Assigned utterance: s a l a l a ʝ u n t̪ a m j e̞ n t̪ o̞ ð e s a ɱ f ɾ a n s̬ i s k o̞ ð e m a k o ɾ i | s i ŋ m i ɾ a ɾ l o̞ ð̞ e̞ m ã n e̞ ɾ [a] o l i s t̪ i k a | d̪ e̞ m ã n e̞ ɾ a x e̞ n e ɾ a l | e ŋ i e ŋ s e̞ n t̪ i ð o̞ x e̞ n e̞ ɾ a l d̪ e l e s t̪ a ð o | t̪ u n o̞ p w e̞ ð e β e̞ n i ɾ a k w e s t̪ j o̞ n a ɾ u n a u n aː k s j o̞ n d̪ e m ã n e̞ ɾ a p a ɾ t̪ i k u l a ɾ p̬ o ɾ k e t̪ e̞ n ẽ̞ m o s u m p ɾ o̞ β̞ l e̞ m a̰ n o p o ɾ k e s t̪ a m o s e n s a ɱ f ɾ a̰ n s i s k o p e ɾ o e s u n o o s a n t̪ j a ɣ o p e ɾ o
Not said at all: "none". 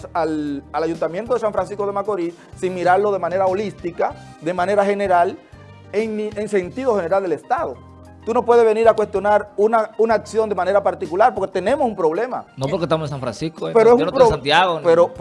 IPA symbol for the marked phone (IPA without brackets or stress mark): a